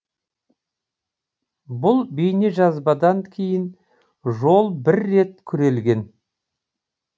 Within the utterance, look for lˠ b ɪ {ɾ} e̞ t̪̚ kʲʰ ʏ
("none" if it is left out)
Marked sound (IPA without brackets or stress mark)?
ɾː